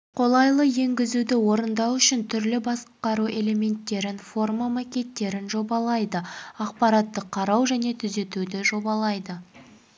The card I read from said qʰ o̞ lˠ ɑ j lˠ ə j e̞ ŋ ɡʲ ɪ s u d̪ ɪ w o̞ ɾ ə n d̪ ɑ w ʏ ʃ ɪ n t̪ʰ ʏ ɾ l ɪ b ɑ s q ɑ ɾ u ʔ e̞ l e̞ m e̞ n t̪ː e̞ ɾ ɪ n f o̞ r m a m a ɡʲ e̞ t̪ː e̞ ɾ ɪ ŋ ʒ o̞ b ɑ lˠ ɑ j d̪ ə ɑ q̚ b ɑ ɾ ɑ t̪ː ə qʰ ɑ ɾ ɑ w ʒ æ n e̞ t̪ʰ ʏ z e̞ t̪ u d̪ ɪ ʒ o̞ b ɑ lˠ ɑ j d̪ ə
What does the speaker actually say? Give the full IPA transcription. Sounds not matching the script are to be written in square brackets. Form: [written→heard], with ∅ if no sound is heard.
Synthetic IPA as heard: qʰ o̞ lˠ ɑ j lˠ ə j e̞ ŋ ɡʲ ɪ [s→z] u d̪ ɪ w o̞ ɾ ə n d̪ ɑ w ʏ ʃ ɪ n t̪ʰ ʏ ɾ l ɪ b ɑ s q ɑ ɾ u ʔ e̞ l e̞ m e̞ n t̪ː e̞ ɾ ɪ n f o̞ r m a m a [ɡʲ→kʲ] e̞ t̪ː e̞ ɾ ɪ [ŋ→n] ʒ o̞ b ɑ lˠ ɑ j d̪ ə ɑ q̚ [b→p] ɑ ɾ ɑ t̪ː ə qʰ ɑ ɾ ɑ w ʒ æ n e̞ t̪ʰ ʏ z e̞ t̪ u d̪ ɪ ʒ o̞ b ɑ lˠ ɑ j d̪ ə